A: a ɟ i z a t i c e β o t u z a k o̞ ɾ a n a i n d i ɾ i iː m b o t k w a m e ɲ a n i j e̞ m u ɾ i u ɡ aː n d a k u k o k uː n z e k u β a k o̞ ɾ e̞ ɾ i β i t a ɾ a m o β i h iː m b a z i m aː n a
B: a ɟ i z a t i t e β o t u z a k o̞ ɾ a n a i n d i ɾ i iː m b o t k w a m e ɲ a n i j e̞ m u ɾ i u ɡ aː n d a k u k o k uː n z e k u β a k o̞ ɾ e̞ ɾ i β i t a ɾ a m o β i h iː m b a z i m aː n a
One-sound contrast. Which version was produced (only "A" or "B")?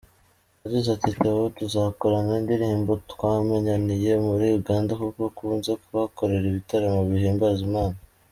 B